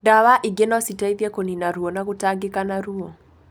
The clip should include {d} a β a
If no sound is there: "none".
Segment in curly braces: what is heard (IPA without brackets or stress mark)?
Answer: d